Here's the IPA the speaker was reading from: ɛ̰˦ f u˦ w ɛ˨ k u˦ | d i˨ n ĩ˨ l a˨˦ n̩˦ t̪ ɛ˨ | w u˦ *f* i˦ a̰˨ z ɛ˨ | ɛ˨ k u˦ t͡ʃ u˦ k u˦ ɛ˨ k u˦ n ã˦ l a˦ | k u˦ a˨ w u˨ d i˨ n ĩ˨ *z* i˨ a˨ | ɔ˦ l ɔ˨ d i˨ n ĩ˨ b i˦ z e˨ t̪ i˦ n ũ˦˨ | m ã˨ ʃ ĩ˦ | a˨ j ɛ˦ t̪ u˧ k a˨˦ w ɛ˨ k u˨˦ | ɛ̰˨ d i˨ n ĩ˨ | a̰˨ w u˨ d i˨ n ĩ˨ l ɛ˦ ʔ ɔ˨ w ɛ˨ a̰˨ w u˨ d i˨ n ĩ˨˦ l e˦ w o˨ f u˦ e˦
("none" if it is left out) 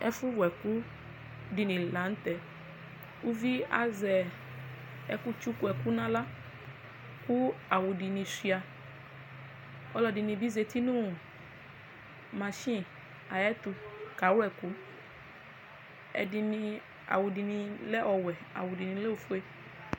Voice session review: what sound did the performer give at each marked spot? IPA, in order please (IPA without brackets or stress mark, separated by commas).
v, s